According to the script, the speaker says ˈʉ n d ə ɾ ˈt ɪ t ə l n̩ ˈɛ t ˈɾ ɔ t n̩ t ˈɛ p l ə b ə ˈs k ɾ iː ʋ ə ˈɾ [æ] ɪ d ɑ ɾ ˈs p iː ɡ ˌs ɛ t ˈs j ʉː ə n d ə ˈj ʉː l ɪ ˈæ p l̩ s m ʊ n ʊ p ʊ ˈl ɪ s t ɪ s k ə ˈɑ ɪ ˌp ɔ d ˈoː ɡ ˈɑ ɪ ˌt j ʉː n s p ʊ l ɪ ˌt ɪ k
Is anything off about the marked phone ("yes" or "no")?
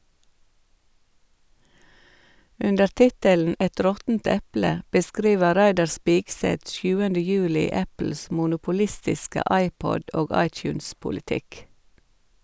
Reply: no